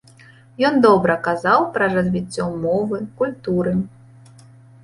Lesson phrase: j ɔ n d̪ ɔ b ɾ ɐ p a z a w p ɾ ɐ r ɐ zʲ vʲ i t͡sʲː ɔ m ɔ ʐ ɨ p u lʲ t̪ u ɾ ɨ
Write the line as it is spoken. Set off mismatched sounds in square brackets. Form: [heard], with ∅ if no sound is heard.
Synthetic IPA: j ɔ n d̪ ɔ b ɾ ɐ [k] a z a w p ɾ ɐ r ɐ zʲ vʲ i t͡sʲː ɔ m ɔ [v] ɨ [k] u lʲ t̪ u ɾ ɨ